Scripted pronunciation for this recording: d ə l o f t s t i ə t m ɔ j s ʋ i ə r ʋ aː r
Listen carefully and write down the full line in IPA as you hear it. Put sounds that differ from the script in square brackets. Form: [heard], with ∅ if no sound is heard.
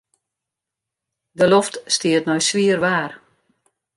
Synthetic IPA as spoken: d ə l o f t s t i ə t [n] ɔ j s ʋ i ə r ʋ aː r